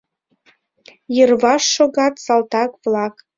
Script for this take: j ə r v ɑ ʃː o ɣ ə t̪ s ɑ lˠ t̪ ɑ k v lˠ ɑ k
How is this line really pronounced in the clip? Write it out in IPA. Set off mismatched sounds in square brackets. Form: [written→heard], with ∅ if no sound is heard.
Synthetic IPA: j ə r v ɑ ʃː o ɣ [ə→ɑ] t̪ s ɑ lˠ t̪ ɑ k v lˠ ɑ k